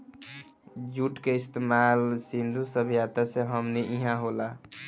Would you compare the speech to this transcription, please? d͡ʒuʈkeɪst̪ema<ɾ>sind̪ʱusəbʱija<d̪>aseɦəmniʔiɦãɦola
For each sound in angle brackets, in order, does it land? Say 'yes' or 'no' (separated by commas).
no, no